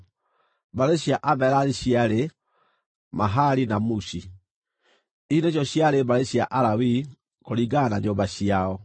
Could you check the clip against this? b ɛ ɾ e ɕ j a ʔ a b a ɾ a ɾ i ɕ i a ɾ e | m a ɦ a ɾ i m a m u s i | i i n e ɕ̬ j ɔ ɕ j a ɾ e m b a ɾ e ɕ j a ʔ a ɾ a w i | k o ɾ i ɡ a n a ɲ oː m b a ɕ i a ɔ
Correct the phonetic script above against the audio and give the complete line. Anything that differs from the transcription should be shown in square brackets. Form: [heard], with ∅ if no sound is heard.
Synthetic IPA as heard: b [a] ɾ e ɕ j a ʔ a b [ɛ] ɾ a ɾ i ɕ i a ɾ e | m a ɦ a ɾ i [n] a m u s i | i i n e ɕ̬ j ɔ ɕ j a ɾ e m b a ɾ e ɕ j a ʔ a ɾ a w i | k o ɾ i ɡ a n a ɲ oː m b a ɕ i a ɔ